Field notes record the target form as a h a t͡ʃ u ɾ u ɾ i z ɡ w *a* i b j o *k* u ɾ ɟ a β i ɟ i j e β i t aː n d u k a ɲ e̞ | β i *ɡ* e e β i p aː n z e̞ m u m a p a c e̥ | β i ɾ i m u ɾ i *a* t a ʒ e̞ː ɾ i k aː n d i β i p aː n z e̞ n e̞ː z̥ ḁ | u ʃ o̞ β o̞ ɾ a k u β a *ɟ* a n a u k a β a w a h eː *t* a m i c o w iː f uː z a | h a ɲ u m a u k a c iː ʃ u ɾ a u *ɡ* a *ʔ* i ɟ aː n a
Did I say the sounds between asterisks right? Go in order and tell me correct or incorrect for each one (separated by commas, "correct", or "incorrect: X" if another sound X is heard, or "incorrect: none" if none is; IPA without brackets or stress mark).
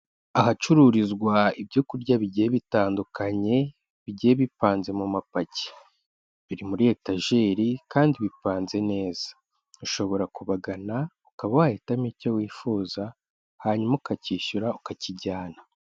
correct, correct, incorrect: ɟ, incorrect: e, incorrect: ɡ, correct, incorrect: k, incorrect: c